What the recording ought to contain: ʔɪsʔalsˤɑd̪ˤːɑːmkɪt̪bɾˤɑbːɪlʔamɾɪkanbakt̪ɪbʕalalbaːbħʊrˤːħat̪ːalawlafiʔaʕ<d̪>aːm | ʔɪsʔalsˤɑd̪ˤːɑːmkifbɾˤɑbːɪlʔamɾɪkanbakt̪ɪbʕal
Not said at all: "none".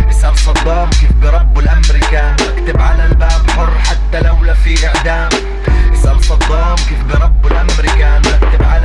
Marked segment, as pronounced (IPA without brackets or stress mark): d̪